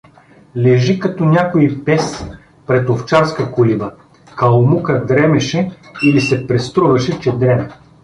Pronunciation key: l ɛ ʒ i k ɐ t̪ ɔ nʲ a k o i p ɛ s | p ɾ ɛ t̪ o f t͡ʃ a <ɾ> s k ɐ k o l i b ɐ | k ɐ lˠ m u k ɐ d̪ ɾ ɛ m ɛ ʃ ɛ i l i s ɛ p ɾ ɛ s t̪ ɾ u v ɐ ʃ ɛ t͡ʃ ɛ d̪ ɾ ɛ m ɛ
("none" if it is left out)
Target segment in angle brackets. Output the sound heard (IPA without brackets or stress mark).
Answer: ɾ